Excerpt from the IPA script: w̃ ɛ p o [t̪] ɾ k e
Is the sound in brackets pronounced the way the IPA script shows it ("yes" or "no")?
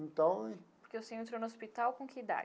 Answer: no